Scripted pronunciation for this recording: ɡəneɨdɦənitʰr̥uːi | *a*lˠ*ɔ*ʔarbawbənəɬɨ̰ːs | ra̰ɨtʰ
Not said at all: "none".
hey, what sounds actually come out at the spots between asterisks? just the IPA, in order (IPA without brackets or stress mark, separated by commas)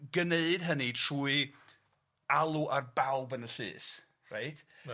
a, u